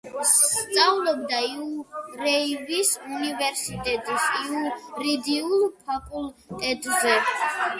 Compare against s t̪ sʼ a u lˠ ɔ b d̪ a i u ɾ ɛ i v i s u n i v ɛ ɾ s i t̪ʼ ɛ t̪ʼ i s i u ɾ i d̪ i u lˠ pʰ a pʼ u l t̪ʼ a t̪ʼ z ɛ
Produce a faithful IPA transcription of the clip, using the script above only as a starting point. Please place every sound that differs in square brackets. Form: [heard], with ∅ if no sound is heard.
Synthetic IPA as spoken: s t̪ sʼ a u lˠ ɔ b d̪ a i u ɾ ɛ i v i s u n i v ɛ ɾ s i t̪ʼ ɛ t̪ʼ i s i u ɾ i d̪ i u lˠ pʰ a pʼ u l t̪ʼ [ɛ] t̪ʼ z ɛ

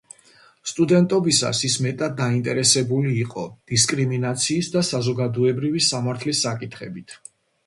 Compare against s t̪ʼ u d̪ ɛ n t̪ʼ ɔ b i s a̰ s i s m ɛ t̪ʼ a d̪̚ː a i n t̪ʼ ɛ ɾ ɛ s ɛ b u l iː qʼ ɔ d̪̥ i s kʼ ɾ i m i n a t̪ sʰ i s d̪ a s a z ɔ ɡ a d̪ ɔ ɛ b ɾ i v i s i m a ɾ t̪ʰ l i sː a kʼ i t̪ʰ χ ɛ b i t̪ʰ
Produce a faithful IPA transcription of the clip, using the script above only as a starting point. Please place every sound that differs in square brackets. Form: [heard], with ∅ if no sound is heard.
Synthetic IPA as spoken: s t̪ʼ u d̪ ɛ n t̪ʼ ɔ b i s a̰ s i s m ɛ t̪ʼ a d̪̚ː a i n t̪ʼ ɛ ɾ ɛ s ɛ b u l iː qʼ ɔ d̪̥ i s kʼ ɾ i m i n a t̪ sʰ [iː] s d̪ a s a z ɔ ɡ a d̪ ɔ ɛ b ɾ i v i s [a] m a ɾ t̪ʰ l i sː a kʼ i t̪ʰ χ ɛ b i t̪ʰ

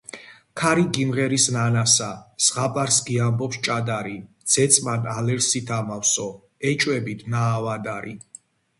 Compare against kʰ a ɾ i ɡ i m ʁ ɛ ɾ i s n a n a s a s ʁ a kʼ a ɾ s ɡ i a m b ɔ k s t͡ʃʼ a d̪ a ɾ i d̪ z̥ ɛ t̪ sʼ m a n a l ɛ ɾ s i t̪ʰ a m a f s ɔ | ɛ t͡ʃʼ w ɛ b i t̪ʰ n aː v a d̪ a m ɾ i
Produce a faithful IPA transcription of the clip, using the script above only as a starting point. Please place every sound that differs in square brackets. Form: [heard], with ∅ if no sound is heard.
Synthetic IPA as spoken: kʰ a ɾ i ɡ i m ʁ ɛ ɾ i s n a n a s a s ʁ a [pʼ] a ɾ s ɡ i a m b ɔ [p] s t͡ʃʼ a d̪ a ɾ i d̪ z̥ ɛ t̪ sʼ m a n a l ɛ ɾ s i t̪ʰ a m a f s ɔ | ɛ t͡ʃʼ w ɛ b i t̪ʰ n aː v a d̪ a [∅] ɾ i

